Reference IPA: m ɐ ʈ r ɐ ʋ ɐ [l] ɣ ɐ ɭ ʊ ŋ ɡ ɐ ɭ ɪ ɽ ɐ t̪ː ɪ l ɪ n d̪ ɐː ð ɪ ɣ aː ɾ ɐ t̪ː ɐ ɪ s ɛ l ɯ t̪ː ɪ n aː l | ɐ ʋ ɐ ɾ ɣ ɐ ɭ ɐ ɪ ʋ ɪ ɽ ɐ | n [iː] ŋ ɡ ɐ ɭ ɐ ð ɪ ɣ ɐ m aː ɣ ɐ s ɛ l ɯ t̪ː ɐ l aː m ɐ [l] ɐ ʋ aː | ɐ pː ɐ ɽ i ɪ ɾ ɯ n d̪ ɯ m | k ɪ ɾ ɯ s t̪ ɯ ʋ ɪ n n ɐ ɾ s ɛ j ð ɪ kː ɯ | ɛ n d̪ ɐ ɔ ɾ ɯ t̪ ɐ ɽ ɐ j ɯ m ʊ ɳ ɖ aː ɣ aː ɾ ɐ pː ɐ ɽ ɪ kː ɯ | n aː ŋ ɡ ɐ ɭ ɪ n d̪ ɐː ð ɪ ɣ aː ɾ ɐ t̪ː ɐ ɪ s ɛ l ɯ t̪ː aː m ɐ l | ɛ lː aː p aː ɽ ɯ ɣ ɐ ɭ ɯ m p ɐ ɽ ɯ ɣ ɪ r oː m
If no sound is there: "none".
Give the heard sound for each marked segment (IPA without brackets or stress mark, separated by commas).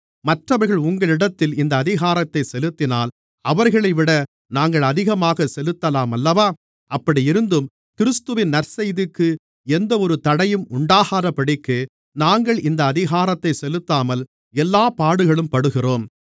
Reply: ɾ, aː, lː